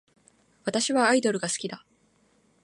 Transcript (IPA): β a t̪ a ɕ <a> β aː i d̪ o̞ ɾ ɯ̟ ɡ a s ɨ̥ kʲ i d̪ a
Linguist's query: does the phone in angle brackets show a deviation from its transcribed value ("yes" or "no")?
yes